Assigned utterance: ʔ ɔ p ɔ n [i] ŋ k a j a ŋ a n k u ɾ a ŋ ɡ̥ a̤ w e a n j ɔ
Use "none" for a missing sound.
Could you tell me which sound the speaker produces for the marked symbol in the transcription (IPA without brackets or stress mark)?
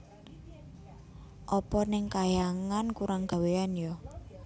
ɪ